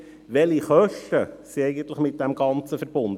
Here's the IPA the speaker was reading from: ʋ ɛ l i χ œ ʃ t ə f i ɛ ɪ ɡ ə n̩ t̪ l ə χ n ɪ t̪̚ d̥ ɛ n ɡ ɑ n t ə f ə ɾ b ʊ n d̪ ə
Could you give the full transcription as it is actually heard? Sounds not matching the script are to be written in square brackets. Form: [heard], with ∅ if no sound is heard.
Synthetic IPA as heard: ʋ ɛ l i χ œ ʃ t ə [s] i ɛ ɪ ɡ ə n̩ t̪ l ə χ [m] ɪ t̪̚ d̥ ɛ [m] ɡ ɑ n [t͡s] ə f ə ɾ b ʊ n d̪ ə

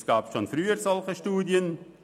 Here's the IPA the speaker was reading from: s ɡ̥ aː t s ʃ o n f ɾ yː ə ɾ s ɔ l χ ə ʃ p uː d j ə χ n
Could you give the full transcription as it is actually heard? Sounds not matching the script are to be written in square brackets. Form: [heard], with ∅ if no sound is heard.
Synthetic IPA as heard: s ɡ̥ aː [p] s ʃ o n f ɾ yː ə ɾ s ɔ l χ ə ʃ [t] uː d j ə [∅] n

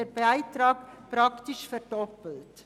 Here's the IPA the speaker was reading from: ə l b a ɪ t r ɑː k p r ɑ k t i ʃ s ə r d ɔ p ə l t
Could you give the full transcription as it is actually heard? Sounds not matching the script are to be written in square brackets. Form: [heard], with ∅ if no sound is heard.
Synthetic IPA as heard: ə [∅] b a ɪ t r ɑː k p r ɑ k t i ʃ [f] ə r d ɔ p ə l t

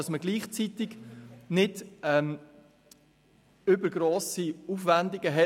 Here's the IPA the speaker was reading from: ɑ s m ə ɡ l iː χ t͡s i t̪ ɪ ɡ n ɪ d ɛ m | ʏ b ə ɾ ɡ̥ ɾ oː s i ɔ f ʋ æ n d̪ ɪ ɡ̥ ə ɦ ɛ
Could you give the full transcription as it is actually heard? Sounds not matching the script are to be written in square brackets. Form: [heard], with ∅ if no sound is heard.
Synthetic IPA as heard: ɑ s m ə ɡ l iː χ t͡s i t̪ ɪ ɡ n ɪ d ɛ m | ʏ b ə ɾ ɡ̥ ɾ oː s i [u] f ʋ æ n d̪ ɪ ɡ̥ ə ɦ ɛ

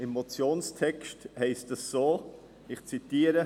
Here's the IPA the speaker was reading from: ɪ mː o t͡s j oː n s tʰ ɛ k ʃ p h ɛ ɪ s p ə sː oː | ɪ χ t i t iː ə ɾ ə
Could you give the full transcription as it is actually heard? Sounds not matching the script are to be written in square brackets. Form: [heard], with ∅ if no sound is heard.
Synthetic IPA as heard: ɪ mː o t͡s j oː n s tʰ ɛ k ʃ [t] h ɛ ɪ s [t] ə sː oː | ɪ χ [t͡s] i t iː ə ɾ ə

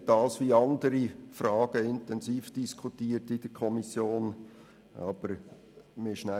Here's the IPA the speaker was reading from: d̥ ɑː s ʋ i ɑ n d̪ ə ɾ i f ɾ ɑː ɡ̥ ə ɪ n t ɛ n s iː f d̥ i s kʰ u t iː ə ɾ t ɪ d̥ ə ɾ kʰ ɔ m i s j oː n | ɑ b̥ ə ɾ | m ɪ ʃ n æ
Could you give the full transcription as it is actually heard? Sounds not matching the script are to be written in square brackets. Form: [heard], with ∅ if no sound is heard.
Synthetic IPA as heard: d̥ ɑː s ʋ i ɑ n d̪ ə ɾ i f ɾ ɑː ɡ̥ ə ɪ n t ɛ n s iː f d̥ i s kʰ u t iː ə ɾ t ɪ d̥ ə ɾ kʰ ɔ m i s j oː n | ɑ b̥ ə ɾ | m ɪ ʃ n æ

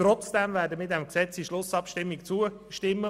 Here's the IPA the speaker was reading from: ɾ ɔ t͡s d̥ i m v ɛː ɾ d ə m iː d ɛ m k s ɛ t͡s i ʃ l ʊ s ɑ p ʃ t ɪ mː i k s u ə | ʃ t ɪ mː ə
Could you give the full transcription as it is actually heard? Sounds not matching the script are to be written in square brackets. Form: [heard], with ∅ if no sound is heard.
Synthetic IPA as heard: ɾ ɔ t͡s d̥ [ɛ] m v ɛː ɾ d ə m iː d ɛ m k s ɛ t͡s i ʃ l ʊ s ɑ p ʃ t ɪ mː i k [t͡s] u ə | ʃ t ɪ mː ə

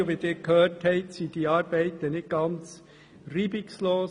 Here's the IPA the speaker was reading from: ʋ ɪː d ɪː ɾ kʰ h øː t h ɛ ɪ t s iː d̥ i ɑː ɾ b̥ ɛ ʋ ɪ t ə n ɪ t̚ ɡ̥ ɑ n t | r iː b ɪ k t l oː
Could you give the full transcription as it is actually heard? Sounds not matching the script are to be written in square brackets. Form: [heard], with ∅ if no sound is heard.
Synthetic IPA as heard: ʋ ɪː d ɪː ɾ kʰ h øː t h ɛ ɪ t s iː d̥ i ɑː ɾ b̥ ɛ [∅] ɪ t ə n ɪ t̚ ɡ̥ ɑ n [t͡s] | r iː b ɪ k [s] l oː

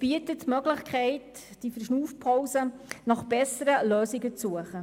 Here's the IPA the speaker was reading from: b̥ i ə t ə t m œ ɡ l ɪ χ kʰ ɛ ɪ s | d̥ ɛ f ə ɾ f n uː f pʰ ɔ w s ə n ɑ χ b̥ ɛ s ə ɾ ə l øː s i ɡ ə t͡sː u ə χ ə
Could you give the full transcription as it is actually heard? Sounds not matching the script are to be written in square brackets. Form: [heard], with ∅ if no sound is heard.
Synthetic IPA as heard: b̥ i ə t ə t m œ ɡ l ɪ χ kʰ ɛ ɪ [t] | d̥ [i] f ə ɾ [ʃ] n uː f pʰ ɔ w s ə n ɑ χ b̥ ɛ s ə ɾ ə l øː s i ɡ ə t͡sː u ə χ ə

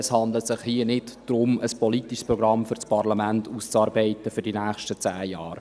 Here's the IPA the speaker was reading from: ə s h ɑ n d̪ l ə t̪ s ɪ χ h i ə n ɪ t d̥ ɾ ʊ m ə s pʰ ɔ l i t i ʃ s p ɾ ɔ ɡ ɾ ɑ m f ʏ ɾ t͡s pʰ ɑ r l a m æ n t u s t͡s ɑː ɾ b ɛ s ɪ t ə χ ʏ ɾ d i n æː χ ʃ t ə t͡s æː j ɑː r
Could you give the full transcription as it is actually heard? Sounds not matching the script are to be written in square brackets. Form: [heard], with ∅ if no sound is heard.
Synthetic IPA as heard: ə s h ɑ n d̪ l ə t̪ s ɪ χ h i ə n ɪ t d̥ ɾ ʊ m ə s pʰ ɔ l i t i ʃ s p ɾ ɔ ɡ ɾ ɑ m f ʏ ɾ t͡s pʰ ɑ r l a m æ n t u s t͡s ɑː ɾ b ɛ [∅] ɪ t ə [f] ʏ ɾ d i n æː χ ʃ t ə t͡s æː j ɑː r

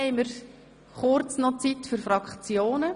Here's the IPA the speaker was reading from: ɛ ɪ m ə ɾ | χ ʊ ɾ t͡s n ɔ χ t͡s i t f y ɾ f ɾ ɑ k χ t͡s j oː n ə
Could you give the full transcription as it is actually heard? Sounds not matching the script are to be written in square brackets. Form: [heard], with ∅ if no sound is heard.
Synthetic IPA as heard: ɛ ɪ m ə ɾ | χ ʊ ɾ t͡s n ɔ [∅] t͡s i t f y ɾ f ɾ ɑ k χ t͡s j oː n ə

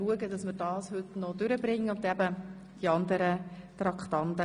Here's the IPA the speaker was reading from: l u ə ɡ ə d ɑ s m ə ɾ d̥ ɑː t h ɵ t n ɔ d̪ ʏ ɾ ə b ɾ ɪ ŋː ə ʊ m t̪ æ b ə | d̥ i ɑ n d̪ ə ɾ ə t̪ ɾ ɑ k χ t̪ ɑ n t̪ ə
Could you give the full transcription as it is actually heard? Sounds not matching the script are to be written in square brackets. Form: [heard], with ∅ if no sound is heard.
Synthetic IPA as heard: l u ə ɡ ə d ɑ s m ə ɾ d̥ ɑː [s] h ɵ t n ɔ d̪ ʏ ɾ ə b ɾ ɪ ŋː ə ʊ [n] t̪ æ b ə | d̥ i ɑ n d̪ ə ɾ ə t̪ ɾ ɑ k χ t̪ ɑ n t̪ ə

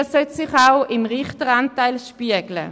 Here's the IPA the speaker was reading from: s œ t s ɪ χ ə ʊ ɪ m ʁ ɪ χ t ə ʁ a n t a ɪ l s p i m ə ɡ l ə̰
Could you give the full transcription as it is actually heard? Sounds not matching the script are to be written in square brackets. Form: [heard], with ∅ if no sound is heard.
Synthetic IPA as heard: s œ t s ɪ χ [a] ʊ ɪ m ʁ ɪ χ t ə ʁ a n t a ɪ l [ʃ] p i [∅] ə ɡ l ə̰

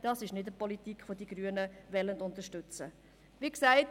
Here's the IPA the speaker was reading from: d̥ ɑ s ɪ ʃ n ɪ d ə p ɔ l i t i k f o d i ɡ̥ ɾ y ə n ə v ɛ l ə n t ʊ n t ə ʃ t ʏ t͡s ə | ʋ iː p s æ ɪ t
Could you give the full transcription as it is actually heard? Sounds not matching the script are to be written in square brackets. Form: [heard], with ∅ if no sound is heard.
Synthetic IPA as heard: d̥ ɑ s ɪ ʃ n ɪ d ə p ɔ l i t i k f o d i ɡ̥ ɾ y ə n ə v ɛ l ə n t ʊ n t ə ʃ t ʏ t͡s ə | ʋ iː [k] s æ ɪ t

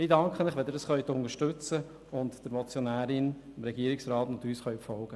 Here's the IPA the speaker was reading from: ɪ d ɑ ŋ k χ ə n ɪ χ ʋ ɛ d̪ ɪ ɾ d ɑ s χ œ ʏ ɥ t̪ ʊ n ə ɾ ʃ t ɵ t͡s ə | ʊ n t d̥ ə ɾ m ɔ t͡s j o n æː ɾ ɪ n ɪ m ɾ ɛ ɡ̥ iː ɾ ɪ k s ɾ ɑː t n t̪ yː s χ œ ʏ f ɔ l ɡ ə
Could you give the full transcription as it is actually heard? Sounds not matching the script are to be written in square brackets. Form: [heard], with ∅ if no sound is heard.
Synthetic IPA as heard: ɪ d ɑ ŋ k χ ə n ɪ χ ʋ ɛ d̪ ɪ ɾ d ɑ s χ œ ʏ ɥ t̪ ʊ n ə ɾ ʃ t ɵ t͡s ə | ʊ n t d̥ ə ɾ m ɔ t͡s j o n æː ɾ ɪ n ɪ m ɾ ɛ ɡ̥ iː ɾ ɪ k s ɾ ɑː t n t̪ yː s χ œ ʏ f ɔ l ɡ ə

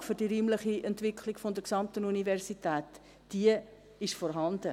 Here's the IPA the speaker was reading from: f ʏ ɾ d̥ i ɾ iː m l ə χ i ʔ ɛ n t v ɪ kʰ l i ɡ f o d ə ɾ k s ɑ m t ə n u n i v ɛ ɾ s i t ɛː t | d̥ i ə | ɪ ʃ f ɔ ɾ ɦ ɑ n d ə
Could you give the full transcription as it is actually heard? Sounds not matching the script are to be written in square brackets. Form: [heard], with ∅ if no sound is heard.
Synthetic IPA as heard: f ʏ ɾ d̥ i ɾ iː m l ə χ i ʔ ɛ n t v ɪ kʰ l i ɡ f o d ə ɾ k s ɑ m t ə n u n i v ɛ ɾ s i t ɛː t | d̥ i ə | ɪ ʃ f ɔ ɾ ɦ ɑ n d ə

